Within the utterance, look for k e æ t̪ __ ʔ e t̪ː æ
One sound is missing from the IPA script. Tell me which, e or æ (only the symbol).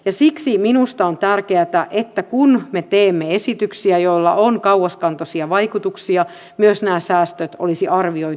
æ